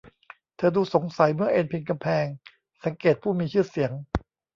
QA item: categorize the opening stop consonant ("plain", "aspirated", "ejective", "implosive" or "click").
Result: aspirated